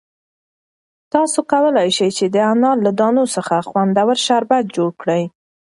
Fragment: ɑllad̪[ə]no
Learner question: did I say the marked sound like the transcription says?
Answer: no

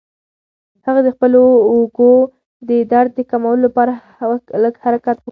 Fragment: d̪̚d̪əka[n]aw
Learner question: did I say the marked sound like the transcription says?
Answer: no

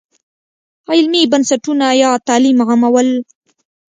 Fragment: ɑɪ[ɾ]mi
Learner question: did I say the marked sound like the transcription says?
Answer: no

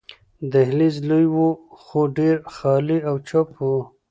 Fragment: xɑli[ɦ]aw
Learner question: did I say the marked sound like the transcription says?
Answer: no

